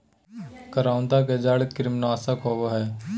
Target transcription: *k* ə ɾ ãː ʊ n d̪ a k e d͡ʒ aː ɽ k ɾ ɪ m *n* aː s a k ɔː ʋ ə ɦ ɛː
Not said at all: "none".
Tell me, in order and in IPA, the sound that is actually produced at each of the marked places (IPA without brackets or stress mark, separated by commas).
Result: k, n